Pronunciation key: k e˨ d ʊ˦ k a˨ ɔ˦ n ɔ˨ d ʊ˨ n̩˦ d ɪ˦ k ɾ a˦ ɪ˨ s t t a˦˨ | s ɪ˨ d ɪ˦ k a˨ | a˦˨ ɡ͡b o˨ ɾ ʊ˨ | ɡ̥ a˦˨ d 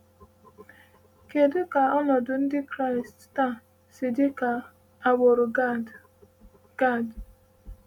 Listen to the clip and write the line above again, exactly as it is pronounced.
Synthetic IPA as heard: k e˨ d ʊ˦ k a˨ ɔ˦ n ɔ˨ d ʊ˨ n̩˦ d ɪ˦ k ɾ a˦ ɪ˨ s t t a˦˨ | s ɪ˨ d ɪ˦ k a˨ | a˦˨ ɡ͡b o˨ ɾ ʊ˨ | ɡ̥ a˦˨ d